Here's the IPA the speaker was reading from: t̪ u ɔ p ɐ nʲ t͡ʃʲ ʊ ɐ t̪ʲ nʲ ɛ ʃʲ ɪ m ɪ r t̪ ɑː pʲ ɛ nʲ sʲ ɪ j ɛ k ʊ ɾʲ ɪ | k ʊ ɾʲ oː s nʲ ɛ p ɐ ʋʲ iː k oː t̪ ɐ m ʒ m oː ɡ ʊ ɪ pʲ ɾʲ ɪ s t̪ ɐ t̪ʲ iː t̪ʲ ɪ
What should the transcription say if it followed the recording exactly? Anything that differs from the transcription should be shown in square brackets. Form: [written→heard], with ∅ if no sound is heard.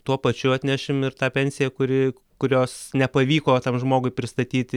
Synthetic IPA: t̪ u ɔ p ɐ [nʲ→∅] t͡ʃʲ ʊ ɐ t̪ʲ nʲ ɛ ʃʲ ɪ m ɪ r t̪ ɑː pʲ ɛ nʲ sʲ ɪ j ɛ k ʊ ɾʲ ɪ | k ʊ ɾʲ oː s nʲ ɛ p ɐ ʋʲ iː k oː t̪ ɐ m ʒ m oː ɡ ʊ ɪ pʲ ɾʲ ɪ s t̪ ɐ t̪ʲ iː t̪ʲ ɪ

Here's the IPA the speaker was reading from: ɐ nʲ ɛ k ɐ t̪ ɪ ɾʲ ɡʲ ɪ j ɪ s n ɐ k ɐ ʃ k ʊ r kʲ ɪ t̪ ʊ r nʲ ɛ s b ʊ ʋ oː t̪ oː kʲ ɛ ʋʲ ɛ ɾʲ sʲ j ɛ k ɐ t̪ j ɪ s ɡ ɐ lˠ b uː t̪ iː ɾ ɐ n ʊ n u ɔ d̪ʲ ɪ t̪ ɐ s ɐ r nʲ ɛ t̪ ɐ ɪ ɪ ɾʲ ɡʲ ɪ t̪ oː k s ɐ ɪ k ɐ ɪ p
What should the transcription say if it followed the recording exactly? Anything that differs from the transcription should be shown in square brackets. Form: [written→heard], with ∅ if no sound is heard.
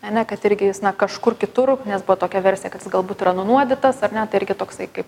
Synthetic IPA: ɐ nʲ ɛ k ɐ t̪ ɪ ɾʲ ɡʲ ɪ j ɪ s n ɐ k ɐ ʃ k ʊ r kʲ ɪ t̪ ʊ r nʲ ɛ s b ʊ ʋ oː t̪ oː kʲ ɛ ʋʲ ɛ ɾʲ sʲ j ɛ k ɐ t̪ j ɪ s ɡ ɐ lˠ b uː t̪ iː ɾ ɐ n ʊ n u ɔ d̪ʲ ɪ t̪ ɐ s ɐ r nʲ ɛ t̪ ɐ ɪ ɪ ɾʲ ɡʲ ɪ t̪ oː k s ɐ ɪ k ɐ ɪ p

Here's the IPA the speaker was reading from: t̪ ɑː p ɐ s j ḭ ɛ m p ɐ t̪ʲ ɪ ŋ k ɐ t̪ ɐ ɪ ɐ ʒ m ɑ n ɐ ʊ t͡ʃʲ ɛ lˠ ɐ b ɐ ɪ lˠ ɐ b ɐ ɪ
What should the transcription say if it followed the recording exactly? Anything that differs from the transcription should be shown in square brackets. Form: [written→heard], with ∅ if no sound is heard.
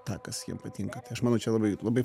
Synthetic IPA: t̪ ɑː [p→k] ɐ s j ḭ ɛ m p ɐ t̪ʲ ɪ ŋ k ɐ t̪ ɐ ɪ ɐ [ʒ→ʃ] m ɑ n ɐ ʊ t͡ʃʲ ɛ lˠ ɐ b ɐ ɪ lˠ ɐ b ɐ ɪ

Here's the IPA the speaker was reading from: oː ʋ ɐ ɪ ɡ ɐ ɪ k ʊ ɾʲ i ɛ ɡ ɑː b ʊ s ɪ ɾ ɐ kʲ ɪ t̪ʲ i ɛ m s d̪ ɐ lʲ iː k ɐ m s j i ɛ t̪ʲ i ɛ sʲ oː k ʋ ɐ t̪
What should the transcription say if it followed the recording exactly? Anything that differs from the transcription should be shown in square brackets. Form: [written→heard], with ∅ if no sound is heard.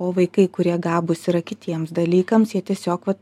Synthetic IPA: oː ʋ ɐ ɪ [ɡ→k] ɐ ɪ k ʊ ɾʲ i ɛ ɡ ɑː b ʊ s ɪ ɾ ɐ kʲ ɪ t̪ʲ i ɛ m s d̪ ɐ lʲ iː k ɐ m s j i ɛ t̪ʲ i ɛ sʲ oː k ʋ ɐ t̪

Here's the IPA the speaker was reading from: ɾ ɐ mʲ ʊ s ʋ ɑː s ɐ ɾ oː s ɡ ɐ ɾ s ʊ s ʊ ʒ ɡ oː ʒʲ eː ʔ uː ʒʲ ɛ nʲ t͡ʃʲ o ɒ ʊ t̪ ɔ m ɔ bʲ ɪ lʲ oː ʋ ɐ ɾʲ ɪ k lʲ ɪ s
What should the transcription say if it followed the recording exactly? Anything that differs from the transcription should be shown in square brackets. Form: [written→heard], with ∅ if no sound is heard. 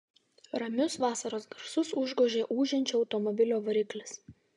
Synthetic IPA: ɾ ɐ mʲ ʊ s ʋ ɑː s ɐ ɾ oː s ɡ ɐ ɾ s ʊ s ʊ ʒ ɡ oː ʒʲ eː ʔ uː ʒʲ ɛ nʲ t͡ʃʲ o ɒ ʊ t̪ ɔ m ɔ bʲ ɪ lʲ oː ʋ ɐ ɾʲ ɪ k lʲ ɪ s

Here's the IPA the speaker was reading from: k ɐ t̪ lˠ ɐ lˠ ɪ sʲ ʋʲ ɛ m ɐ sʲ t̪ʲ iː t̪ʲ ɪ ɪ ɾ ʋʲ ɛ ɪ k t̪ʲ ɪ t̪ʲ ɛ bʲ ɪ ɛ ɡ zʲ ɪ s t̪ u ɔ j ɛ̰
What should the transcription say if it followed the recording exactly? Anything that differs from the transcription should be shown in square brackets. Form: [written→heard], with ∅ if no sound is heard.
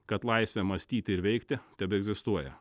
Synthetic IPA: k ɐ t̪ lˠ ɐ [lˠ→∅] ɪ sʲ ʋʲ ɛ m ɐ sʲ t̪ʲ iː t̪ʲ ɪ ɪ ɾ ʋʲ ɛ ɪ k t̪ʲ ɪ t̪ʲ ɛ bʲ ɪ ɛ ɡ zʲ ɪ s t̪ u ɔ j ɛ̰

